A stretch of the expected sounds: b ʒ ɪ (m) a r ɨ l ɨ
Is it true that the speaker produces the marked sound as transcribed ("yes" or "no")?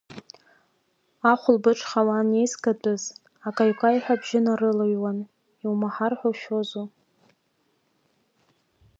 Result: no